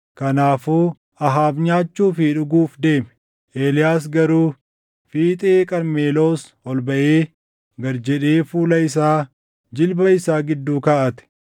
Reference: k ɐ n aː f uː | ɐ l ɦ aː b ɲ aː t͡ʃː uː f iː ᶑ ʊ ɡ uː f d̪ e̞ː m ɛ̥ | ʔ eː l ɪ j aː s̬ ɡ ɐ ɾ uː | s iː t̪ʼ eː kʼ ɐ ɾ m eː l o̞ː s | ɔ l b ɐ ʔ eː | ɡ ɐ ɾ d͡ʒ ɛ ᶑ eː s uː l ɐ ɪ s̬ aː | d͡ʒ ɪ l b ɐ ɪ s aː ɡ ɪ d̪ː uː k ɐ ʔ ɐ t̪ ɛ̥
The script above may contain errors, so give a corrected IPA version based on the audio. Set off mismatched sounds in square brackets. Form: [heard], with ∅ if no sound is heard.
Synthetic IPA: k ɐ n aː f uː | ɐ [∅] ɦ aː b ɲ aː t͡ʃː uː f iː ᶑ ʊ ɡ uː f d̪ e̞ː m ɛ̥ | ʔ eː l ɪ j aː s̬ ɡ ɐ ɾ uː | [f] iː t̪ʼ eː kʼ ɐ ɾ m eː l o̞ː s | ɔ l b ɐ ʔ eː | ɡ ɐ ɾ d͡ʒ ɛ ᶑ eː [f] uː l ɐ ɪ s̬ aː | d͡ʒ ɪ l b ɐ ɪ s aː ɡ ɪ d̪ː uː k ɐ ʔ ɐ t̪ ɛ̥